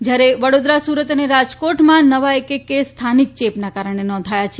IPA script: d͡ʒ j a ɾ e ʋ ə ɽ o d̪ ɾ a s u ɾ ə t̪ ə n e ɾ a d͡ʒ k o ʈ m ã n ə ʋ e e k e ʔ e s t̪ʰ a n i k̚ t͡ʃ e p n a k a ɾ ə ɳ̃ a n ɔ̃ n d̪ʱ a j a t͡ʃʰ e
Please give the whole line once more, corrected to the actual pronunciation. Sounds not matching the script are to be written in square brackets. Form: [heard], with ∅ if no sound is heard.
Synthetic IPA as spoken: d͡ʒ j a ɾ e ʋ ə ɽ o d̪ ɾ a s u ɾ ə t̪ ə n e ɾ a d͡ʒ k o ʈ m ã n ə ʋ [a] e k e [k] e s t̪ʰ a n i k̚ t͡ʃ e p n a k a ɾ ə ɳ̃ [e] n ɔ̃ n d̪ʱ a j a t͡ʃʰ e